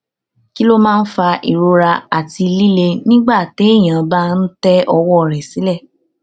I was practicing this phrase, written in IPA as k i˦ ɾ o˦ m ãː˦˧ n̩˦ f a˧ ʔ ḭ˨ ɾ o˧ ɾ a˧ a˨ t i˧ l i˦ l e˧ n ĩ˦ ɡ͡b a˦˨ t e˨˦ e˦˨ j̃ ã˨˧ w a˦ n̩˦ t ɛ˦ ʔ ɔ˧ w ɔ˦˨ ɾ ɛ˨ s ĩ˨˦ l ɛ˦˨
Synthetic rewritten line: k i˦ l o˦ m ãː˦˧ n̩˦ f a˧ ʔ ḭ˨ ɾ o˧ ɾ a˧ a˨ t i˧ l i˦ l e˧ n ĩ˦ ɡ͡b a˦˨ t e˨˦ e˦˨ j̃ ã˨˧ b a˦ n̩˦ t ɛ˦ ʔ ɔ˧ w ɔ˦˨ ɾ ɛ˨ s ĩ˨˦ l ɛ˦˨